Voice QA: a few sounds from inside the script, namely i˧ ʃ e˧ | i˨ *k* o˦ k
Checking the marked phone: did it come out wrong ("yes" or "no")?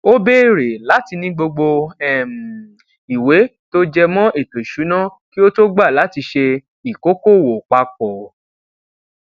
no